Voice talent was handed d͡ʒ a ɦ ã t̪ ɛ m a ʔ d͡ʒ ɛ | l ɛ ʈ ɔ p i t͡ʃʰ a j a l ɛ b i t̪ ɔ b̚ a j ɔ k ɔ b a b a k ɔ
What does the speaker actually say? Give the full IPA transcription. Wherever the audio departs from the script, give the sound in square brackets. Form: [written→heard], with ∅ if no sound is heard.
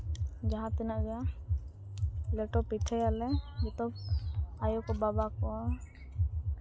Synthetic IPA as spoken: d͡ʒ a ɦ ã t̪ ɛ [m→n] a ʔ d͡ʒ [ɛ→a] | l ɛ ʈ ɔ p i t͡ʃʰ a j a l ɛ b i t̪ ɔ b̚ a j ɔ k ɔ b a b a k ɔ